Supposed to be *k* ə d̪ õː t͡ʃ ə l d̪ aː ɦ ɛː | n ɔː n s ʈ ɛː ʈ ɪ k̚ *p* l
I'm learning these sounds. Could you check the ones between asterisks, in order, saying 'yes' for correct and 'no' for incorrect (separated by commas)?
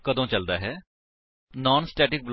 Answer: yes, no